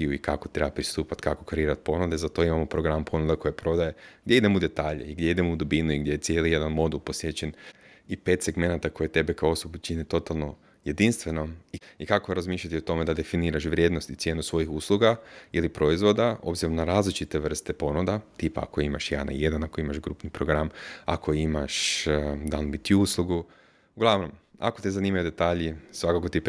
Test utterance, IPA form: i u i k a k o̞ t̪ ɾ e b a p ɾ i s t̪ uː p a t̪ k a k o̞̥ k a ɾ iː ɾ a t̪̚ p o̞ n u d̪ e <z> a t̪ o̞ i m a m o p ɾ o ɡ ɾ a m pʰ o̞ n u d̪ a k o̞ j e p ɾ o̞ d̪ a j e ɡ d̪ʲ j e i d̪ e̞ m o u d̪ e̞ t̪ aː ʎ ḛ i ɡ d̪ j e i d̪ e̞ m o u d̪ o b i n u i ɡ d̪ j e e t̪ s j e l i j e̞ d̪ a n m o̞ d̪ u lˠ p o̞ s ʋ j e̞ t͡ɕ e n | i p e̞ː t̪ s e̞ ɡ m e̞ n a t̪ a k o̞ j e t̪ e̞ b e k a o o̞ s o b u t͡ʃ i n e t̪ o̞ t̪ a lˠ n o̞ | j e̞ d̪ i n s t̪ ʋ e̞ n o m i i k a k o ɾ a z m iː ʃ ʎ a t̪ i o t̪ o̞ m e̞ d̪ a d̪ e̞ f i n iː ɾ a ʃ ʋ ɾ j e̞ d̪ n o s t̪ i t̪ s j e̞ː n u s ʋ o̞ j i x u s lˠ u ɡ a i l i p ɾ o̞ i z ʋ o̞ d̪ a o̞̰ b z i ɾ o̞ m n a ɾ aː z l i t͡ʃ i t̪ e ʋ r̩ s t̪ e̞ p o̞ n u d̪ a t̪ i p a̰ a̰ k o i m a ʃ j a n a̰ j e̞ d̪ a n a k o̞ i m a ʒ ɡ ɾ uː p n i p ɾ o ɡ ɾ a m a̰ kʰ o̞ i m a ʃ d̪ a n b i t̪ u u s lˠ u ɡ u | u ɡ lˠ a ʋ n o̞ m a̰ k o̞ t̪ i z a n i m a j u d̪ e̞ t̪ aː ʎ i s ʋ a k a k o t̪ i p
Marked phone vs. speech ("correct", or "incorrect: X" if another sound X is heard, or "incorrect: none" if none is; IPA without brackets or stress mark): correct